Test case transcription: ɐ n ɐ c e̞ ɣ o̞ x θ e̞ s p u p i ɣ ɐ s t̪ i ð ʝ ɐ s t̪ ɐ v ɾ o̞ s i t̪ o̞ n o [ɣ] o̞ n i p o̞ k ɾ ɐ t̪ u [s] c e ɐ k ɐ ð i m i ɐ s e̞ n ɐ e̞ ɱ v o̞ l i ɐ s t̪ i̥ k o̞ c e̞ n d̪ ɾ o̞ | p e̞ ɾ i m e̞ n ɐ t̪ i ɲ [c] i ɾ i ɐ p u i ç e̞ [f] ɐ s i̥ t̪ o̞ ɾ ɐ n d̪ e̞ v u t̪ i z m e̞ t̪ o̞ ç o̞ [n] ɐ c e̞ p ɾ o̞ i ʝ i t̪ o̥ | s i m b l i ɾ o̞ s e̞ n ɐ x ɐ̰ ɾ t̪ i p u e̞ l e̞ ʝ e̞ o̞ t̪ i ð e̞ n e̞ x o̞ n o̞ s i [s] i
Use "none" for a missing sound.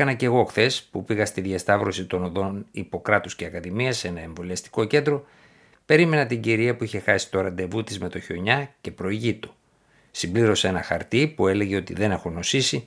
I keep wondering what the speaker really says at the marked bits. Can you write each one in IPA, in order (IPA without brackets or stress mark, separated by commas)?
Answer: ð, s, ɟ, x, ɲ, s